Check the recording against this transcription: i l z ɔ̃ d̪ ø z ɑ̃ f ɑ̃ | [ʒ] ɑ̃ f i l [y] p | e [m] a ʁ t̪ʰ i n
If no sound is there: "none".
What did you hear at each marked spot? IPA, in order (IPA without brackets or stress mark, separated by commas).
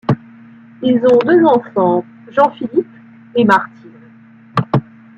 ʒ, i, m